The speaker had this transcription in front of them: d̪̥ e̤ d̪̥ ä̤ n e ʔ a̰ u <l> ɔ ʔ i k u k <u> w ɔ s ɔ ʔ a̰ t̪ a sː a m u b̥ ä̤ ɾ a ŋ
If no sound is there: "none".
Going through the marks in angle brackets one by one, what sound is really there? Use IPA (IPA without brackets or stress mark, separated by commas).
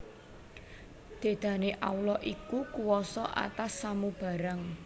l, u